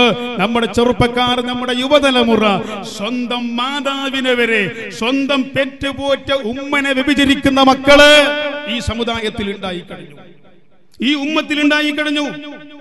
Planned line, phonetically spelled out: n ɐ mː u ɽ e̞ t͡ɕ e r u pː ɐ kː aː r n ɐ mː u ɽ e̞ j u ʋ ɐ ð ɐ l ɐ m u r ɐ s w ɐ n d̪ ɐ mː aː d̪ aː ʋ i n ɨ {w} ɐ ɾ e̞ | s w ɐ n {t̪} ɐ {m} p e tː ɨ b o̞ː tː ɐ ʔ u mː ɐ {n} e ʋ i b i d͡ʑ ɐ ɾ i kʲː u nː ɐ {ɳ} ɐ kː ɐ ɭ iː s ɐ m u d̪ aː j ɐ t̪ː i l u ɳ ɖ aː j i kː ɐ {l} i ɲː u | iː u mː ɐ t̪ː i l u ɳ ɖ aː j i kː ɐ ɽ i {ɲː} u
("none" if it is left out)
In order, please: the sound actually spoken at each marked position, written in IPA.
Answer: ʋ, d̪, m, n, m, ɽ, ɲː

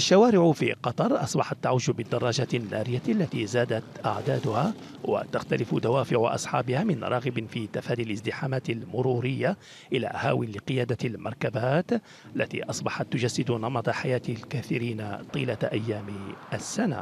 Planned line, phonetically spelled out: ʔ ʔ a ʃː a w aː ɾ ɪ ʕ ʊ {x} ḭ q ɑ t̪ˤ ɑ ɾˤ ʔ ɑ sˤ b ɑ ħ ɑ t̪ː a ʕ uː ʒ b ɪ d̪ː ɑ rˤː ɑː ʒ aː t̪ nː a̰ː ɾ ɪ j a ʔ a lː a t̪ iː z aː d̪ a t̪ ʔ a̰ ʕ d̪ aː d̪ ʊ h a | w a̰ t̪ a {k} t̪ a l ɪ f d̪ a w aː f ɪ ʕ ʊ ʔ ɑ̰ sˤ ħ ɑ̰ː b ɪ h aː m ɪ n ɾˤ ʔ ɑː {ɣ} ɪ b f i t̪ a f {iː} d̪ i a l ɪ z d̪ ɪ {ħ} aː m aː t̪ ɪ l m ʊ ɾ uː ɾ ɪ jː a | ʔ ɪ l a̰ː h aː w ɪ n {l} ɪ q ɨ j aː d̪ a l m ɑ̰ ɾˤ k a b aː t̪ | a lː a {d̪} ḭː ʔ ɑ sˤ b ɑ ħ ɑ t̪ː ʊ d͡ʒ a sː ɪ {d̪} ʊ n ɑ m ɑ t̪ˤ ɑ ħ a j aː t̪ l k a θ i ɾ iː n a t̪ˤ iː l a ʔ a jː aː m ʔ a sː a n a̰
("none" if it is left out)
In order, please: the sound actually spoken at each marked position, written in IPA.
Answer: f, x, ɣ, aː, ħ, l, t̪, d̪

